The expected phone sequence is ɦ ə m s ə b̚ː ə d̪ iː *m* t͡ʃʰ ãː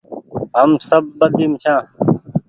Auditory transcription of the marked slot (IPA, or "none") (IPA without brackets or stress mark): m